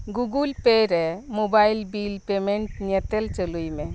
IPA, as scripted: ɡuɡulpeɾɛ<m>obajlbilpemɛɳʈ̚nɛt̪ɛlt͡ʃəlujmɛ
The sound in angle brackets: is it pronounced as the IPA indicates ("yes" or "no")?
yes